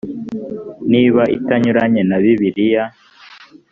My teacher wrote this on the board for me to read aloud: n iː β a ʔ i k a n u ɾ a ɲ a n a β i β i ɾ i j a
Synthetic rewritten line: n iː β a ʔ i t a ɲ u ɾ a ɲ e n a β i β i ɾ i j a